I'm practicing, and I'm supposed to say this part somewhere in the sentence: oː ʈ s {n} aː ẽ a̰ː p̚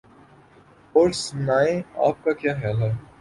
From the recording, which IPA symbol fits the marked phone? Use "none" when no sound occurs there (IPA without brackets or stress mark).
n